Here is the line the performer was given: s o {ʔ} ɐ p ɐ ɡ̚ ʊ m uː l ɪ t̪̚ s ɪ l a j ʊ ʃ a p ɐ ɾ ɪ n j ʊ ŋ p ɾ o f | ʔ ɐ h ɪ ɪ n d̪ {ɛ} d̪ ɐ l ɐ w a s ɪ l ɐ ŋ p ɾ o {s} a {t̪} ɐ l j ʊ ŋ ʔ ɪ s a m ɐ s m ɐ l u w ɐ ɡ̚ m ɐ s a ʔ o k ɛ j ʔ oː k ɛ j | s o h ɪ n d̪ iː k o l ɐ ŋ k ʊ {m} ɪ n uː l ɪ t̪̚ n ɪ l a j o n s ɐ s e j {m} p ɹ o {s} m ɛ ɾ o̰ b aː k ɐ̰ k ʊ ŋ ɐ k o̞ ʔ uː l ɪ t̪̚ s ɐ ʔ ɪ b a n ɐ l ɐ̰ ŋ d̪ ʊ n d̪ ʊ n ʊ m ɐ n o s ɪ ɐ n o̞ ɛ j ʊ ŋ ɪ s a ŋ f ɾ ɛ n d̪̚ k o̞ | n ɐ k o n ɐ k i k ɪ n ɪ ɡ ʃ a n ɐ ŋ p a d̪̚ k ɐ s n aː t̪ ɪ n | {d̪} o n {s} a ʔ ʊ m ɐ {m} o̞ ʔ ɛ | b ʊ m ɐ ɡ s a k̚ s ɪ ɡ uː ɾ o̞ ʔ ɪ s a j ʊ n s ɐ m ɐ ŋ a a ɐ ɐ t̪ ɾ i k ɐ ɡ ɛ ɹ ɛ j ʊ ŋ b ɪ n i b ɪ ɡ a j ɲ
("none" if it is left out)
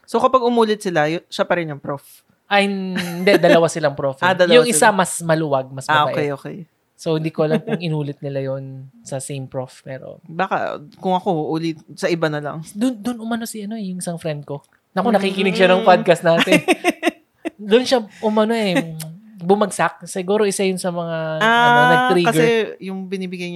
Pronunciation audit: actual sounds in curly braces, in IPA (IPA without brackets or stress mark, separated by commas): k, ɛ, f, d̪, ŋ, m, f, d̪, ʃ, n